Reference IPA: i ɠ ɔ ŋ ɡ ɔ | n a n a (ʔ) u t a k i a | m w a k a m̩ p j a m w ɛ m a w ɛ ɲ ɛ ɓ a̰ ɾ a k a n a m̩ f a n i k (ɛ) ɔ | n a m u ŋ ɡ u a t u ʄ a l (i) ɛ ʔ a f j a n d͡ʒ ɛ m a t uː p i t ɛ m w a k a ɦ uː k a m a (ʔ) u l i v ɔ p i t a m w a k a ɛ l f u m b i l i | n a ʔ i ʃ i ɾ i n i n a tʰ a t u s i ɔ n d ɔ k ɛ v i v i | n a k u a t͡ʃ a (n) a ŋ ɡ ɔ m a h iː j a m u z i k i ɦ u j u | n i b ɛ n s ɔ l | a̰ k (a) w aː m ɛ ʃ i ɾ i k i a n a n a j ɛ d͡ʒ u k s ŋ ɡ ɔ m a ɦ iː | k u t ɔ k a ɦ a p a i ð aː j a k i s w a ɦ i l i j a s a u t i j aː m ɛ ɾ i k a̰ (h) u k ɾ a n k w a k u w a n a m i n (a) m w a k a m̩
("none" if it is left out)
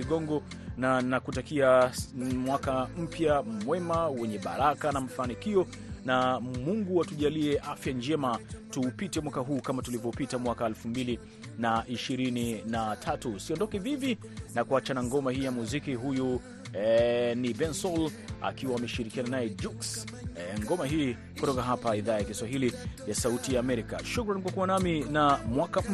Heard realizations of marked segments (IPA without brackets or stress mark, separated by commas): k, i, i, t, n, i, ʃ, a